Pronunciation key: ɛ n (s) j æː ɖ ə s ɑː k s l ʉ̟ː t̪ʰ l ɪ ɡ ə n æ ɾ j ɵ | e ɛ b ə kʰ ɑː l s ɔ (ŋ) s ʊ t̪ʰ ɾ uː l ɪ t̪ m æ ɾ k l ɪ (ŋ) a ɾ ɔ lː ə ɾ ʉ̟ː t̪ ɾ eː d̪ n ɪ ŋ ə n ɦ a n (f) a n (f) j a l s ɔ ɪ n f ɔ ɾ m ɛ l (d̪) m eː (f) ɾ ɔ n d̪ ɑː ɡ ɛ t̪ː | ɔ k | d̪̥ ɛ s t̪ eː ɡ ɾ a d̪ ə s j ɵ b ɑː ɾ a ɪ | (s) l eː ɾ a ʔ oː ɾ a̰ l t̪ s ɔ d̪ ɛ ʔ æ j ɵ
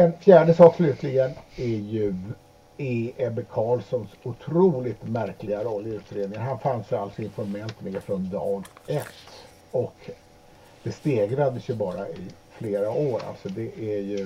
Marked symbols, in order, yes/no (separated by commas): no, no, no, yes, no, no, yes, no